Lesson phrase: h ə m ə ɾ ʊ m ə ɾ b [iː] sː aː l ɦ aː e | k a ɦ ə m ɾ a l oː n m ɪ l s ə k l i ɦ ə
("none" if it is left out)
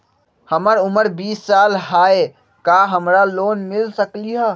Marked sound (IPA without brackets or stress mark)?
iː